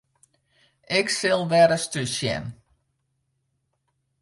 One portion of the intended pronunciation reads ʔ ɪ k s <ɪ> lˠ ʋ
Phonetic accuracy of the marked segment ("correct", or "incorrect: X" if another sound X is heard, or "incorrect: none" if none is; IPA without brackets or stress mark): correct